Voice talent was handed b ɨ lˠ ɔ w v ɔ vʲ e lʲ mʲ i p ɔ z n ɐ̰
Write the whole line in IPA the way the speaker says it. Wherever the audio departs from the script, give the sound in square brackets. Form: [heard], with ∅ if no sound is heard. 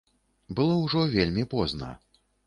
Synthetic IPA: b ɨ lˠ ɔ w [ʐ] ɔ vʲ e lʲ mʲ i p ɔ z n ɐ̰